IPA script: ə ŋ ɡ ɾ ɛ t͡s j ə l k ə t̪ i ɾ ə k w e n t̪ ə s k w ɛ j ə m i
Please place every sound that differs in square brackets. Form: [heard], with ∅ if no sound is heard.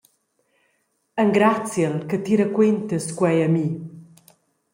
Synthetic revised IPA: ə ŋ ɡ ɾ [a] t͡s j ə l k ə t̪ i ɾ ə k w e n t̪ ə s k w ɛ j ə m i

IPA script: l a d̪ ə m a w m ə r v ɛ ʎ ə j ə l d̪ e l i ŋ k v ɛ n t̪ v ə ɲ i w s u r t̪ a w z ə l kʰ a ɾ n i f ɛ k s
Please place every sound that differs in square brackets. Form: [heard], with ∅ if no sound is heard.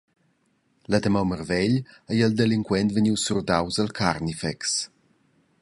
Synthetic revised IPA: l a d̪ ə m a w m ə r v ɛ ʎ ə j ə l d̪ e l i ŋ k [w] ɛ n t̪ v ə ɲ i w s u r [d̪] a w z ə l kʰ a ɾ n i f ɛ k s

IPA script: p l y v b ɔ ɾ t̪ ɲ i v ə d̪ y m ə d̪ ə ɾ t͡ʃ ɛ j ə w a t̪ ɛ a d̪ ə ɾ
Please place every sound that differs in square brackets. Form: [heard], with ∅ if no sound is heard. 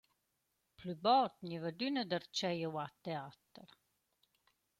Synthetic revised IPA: p l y [∅] b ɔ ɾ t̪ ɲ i v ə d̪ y [n] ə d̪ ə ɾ t͡ʃ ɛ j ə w a t̪ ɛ a [t̪] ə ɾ

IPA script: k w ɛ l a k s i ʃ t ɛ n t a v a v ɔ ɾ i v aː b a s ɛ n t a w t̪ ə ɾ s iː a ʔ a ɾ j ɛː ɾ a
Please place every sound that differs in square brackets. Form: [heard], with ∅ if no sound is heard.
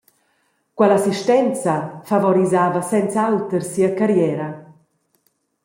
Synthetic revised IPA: k w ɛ l a [∅] s i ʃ t ɛ n [t͡s] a [f] a v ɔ ɾ i [z] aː [v] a s ɛ n [t͡s] a w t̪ ə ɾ s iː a [k] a ɾ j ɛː ɾ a

